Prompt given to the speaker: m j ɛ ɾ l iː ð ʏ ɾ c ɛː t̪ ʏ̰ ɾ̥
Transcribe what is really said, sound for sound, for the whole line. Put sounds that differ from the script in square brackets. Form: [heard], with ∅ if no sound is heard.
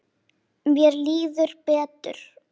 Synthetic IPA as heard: m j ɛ ɾ l iː ð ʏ ɾ [p] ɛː t̪ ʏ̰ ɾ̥